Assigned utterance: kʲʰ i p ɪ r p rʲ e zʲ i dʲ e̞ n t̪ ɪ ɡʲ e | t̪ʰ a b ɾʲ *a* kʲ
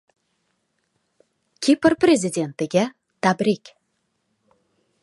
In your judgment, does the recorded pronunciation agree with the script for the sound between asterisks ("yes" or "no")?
no